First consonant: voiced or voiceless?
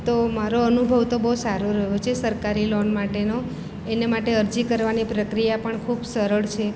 voiceless